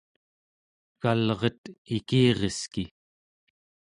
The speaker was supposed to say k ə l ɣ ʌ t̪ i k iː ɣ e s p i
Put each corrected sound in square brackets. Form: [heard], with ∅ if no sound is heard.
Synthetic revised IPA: k [a] l [ʁ] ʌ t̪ i k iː [ʁ] e s [k] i